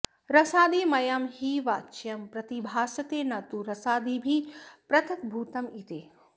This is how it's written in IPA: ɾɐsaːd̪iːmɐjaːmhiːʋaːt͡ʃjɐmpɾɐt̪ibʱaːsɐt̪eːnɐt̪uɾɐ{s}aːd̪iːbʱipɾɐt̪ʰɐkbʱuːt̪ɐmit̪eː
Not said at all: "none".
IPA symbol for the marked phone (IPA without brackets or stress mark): s